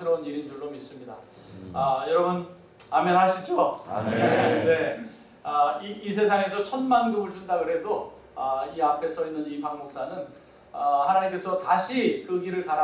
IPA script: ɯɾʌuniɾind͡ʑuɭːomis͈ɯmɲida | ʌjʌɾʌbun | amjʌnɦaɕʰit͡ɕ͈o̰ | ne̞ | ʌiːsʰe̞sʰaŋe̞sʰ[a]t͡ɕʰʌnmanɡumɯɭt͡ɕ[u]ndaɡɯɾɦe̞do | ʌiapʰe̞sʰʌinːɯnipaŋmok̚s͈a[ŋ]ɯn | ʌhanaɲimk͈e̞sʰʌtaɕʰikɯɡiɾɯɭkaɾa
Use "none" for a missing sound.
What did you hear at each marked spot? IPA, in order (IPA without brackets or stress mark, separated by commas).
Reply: ʌ, u, n